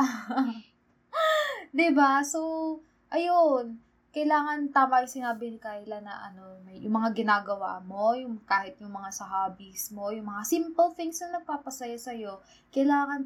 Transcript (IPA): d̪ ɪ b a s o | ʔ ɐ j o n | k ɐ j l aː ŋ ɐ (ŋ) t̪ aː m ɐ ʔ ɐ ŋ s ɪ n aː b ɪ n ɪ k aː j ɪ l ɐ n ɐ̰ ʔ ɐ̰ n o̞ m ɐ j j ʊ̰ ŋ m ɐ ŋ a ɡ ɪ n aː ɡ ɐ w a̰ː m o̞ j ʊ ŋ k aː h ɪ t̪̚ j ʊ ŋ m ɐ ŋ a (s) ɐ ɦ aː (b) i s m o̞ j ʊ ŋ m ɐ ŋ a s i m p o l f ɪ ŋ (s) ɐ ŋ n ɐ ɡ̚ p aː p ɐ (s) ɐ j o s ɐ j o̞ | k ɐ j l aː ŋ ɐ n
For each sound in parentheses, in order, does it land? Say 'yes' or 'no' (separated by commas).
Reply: no, yes, yes, yes, yes